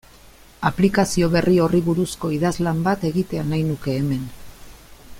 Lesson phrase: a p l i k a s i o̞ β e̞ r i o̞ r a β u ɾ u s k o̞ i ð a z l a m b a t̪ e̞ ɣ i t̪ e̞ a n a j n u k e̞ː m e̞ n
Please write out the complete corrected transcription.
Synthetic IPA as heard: a p l i k a s i o̞ β e̞ r i o̞ r i β u ɾ u s k o̞ i ð a z l a m b a t̪ e̞ ɣ i t̪ e̞ a n a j n u k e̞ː m e̞ n

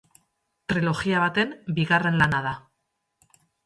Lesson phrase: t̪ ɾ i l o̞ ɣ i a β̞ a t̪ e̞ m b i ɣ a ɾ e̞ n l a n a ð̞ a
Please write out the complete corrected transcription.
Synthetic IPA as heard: t̪ ɾ i l o̞ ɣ i a β̞ a t̪ e̞ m b i ɣ a r e̞ n l a n a ð̞ a

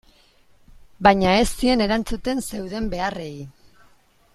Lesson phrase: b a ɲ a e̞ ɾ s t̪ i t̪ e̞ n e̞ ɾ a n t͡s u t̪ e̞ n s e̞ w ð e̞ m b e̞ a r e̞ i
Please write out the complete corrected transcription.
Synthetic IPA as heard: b a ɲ a e̞ s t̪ i e̞ n e̞ ɾ a n t͡s u t̪ e̞ n s e̞ w ð e̞ m b e̞ a r e̞ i

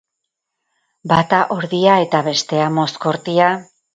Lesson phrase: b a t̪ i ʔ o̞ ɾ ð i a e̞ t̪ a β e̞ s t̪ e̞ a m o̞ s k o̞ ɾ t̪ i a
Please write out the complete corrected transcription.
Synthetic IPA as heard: b a t̪ a ʔ o̞ ɾ ð i a e̞ t̪ a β e̞ s t̪ e̞ a m o̞ s k o̞ ɾ t̪ i a

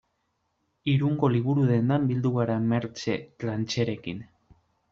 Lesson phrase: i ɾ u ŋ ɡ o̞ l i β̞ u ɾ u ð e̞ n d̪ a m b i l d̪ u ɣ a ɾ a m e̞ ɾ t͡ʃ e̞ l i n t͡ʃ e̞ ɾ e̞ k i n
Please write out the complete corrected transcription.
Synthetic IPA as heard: i ɾ u ŋ ɡ o̞ l i β̞ u ɾ u ð e̞ n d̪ a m b i l d̪ u ɣ a ɾ a m e̞ ɾ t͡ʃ e̞ l a n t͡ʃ e̞ ɾ e̞ k i n

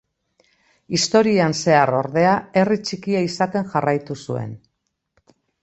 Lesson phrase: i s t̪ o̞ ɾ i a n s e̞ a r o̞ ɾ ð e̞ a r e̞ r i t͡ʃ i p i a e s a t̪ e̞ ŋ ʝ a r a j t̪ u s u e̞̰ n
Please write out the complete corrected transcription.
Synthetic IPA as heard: i s t̪ o̞ ɾ i a n s e̞ a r o̞ ɾ ð e̞ a e̞ r i t͡ʃ i k i a i s a t̪ e̞ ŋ ʝ a r a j t̪ u s u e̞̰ n

